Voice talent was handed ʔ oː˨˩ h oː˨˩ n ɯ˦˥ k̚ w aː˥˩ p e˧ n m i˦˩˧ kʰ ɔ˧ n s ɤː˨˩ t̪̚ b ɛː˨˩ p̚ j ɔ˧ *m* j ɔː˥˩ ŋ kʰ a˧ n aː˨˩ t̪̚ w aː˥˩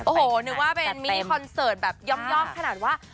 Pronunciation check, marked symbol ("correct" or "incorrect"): correct